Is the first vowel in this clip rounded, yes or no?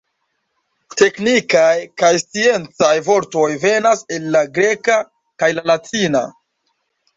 no